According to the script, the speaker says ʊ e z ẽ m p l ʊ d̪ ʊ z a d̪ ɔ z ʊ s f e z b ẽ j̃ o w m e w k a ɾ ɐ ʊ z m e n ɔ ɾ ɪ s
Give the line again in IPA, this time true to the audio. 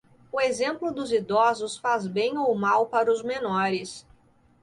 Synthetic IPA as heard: ʊ e z ẽ m p l ʊ d̪ ʊ z i d̪ ɔ z ʊ s f a z b ẽ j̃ o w m a w p a ɾ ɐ ʊ z m e n ɔ ɾ ɪ s